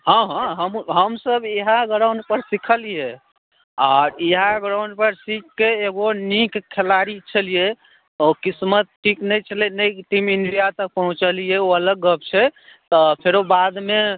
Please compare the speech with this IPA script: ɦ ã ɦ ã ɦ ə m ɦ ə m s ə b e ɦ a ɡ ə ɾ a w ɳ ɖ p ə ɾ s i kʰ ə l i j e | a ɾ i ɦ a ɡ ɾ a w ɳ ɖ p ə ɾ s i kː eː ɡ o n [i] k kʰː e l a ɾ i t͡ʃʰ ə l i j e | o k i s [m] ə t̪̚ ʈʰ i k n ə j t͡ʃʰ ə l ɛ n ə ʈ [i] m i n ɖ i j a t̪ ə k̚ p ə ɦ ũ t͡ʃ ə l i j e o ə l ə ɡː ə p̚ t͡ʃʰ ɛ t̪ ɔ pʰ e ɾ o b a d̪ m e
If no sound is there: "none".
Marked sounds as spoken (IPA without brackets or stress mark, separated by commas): i, m, i